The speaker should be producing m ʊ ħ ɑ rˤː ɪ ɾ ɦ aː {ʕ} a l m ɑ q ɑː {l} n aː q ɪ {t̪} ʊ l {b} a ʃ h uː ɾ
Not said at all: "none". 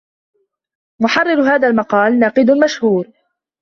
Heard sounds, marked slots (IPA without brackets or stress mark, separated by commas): ð, l, d̪, m